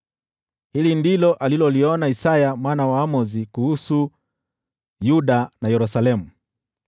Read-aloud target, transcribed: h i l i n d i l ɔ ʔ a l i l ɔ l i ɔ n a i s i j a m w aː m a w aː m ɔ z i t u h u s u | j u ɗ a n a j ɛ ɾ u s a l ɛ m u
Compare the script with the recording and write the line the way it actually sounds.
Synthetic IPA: h i l i n d i l ɔ ʔ a l i l ɔ l i ɔ n a i s a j a m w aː n a w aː m ɔ z i k u h u s u | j u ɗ a n a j ɛ ɾ u s a l ɛ m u